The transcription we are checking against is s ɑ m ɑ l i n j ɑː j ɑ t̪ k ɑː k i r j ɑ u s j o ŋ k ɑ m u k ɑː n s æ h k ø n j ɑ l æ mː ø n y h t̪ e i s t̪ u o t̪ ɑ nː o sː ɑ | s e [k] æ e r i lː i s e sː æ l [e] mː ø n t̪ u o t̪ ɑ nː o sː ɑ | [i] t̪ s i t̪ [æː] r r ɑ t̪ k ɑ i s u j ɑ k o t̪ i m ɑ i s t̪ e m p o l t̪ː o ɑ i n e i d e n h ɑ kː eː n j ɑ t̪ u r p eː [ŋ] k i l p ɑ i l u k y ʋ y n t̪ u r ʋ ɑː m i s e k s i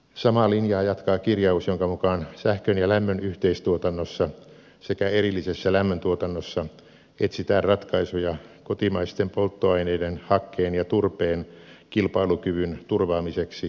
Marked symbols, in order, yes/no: yes, no, no, yes, no

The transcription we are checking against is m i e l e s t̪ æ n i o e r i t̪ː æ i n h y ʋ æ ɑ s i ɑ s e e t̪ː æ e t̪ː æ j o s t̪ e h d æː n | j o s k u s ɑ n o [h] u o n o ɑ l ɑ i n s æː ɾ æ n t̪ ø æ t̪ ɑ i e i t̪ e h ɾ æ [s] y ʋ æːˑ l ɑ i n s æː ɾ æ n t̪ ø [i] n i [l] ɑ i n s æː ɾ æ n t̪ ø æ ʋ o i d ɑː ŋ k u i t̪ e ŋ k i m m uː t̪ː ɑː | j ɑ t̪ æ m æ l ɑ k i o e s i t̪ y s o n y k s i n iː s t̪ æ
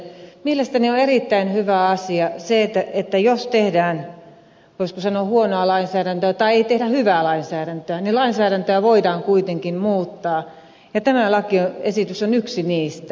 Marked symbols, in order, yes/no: yes, no, no, yes

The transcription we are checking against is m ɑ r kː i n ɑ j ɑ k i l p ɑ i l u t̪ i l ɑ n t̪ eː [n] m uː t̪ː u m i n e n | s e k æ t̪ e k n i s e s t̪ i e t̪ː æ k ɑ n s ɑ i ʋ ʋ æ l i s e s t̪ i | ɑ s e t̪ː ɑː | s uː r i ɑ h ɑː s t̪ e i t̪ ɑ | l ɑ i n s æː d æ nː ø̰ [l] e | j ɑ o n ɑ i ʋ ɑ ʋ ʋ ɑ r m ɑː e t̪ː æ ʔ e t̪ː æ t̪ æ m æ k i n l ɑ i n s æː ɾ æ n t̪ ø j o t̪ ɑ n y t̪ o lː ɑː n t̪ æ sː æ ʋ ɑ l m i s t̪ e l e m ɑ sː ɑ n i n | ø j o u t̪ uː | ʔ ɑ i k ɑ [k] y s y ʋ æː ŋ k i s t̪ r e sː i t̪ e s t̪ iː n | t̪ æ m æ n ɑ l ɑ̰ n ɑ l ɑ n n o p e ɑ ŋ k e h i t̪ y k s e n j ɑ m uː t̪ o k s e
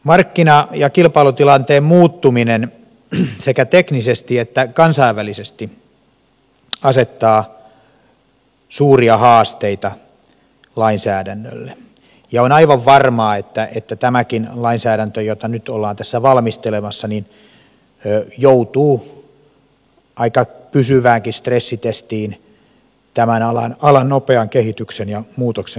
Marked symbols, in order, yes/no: no, no, no

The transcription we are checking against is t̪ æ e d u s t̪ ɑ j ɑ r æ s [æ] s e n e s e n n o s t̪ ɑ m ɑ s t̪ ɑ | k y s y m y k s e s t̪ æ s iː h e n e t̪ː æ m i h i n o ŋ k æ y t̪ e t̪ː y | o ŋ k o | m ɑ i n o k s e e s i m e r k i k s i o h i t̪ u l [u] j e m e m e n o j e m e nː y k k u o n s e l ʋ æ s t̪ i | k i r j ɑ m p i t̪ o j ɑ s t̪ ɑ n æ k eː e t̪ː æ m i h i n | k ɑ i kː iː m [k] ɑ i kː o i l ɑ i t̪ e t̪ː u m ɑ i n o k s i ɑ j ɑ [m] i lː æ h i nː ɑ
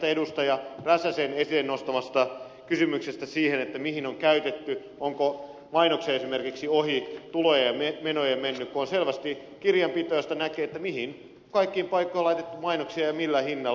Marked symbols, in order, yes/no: yes, no, no, yes

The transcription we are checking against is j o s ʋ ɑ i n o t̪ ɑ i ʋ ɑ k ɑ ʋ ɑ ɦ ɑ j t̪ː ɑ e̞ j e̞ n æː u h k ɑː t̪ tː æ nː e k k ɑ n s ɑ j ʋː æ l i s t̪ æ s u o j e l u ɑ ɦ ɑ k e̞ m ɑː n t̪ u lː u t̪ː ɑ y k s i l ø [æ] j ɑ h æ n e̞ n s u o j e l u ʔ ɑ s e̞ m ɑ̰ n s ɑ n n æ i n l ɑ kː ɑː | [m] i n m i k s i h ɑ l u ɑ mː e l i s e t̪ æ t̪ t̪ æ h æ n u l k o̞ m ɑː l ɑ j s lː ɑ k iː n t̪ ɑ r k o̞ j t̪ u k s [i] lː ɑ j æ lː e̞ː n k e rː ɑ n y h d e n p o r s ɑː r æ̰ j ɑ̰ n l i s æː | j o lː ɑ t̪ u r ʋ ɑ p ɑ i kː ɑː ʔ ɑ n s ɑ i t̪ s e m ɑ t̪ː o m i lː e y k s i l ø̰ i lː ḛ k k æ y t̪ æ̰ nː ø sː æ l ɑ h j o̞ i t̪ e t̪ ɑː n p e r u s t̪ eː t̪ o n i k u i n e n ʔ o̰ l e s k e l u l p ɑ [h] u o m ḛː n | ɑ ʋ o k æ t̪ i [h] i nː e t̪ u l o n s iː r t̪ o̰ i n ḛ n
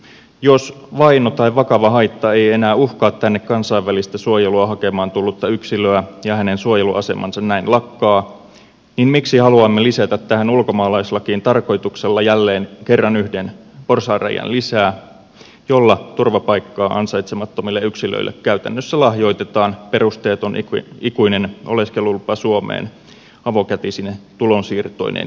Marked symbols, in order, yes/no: yes, no, no, no, no

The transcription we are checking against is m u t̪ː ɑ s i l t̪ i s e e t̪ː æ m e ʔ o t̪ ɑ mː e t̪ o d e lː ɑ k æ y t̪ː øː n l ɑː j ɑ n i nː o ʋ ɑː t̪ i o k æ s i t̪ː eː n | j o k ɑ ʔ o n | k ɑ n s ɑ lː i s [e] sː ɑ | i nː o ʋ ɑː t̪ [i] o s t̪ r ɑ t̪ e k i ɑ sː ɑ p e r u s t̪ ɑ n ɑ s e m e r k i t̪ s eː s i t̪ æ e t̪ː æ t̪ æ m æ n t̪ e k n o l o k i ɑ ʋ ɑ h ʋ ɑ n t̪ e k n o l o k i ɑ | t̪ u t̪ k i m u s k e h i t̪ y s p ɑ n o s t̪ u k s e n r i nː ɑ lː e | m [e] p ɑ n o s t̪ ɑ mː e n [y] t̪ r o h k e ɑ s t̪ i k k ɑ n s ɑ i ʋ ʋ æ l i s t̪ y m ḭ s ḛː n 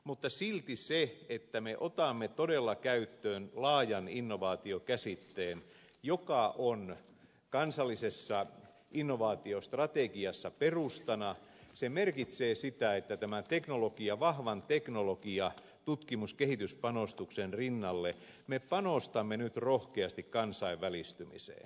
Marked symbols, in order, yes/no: yes, yes, yes, yes

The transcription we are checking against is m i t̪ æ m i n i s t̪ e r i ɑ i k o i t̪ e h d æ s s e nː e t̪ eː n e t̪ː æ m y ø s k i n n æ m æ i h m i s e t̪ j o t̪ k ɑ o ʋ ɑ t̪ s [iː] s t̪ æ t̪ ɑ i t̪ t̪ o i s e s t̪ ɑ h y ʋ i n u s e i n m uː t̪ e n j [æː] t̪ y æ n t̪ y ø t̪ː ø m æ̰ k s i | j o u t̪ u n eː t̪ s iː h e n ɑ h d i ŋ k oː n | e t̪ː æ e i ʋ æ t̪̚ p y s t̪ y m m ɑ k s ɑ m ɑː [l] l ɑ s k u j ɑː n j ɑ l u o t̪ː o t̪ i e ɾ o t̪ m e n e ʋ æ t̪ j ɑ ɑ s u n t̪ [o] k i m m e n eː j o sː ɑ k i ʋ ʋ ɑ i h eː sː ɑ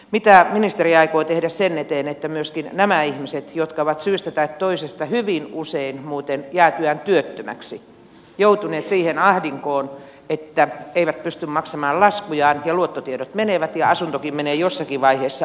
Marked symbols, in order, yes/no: no, yes, yes, yes

